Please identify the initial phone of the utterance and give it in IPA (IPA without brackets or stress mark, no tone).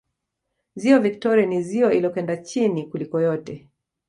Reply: z